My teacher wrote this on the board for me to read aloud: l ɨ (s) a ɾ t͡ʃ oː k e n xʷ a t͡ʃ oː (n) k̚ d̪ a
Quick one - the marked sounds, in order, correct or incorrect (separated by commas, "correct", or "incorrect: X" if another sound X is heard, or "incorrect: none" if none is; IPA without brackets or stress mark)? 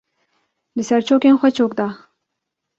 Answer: correct, incorrect: none